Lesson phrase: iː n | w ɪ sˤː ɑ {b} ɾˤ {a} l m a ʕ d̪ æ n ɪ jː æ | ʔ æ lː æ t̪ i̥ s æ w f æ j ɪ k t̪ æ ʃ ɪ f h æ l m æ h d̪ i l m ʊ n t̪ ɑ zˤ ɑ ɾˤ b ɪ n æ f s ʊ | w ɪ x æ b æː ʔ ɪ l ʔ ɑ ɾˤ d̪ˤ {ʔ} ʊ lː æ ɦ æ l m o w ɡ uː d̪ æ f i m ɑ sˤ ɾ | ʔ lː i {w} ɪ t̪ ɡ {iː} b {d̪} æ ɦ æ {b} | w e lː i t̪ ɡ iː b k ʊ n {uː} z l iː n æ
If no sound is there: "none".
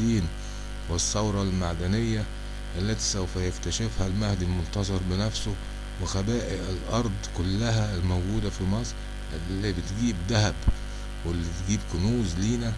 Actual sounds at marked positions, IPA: w, ɑ, k, b, iː, d̪, b, uː

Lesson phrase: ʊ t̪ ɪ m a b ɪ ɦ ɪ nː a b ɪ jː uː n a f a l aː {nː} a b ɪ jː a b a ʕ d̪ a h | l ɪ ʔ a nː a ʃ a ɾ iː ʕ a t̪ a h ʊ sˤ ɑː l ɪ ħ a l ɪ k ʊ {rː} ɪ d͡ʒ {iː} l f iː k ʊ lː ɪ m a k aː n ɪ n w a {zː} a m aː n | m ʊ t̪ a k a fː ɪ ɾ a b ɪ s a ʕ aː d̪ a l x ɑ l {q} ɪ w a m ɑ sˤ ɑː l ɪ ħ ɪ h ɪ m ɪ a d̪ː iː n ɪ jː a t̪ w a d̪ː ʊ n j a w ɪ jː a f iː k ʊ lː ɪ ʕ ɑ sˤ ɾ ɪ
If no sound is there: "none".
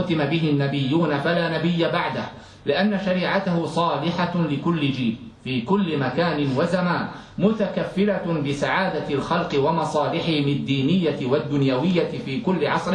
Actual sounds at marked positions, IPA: n, lː, iː, z, q

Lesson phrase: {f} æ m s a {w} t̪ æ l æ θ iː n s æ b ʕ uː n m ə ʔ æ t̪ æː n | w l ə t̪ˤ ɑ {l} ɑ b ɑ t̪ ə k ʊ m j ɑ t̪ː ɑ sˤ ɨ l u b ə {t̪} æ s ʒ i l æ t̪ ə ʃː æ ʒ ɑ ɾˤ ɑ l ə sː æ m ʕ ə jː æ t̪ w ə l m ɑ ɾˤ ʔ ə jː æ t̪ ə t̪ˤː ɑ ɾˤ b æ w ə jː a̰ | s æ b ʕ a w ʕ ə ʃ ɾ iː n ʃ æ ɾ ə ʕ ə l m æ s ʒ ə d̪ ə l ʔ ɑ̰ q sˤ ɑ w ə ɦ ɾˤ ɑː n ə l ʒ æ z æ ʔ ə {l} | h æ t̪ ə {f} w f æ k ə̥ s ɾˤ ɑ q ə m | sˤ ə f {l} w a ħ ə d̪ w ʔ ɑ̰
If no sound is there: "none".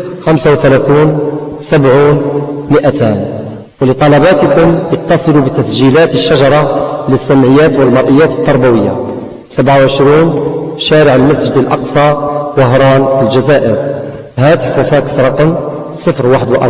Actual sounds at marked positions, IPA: x, w, l, t̪, ɾ, f, ɾ

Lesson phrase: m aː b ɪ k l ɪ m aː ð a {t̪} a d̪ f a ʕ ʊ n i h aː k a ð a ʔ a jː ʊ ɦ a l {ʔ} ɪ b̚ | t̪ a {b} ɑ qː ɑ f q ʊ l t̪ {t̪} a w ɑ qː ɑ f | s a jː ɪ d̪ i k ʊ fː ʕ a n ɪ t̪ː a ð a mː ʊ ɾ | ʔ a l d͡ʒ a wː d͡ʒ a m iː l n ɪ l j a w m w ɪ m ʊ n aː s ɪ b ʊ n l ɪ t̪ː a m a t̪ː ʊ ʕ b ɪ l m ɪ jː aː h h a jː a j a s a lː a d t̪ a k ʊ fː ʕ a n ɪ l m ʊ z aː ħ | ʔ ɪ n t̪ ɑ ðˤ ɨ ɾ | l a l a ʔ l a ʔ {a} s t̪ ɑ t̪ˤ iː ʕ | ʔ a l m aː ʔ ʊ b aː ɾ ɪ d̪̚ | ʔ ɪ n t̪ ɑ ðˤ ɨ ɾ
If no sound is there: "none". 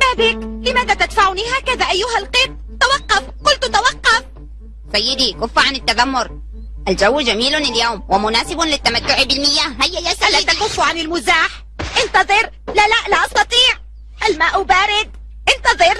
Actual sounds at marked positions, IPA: t̪, q, w, t̪, ɑ

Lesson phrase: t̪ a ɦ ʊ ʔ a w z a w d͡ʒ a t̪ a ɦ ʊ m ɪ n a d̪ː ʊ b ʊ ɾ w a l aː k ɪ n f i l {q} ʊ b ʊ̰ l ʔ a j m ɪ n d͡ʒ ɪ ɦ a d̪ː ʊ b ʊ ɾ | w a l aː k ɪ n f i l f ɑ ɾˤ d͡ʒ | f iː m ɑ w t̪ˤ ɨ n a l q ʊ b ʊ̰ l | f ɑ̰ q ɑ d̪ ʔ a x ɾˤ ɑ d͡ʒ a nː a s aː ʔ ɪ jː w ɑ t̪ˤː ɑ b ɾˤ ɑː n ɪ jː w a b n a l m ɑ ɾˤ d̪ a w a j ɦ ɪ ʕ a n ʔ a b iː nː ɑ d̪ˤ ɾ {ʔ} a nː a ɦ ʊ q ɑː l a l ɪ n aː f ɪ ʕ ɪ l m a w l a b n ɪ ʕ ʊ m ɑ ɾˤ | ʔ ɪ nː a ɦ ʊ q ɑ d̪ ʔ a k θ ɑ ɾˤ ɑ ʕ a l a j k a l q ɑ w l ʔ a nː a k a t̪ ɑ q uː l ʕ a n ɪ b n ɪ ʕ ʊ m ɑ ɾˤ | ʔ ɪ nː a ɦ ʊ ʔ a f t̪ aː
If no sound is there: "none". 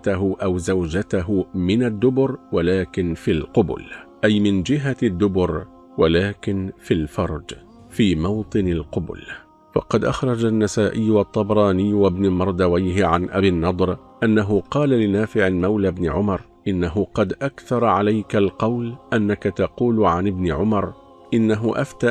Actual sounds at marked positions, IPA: q, ʔ

